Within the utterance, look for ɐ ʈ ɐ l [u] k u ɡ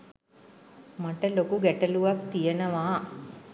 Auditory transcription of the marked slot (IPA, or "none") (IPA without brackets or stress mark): o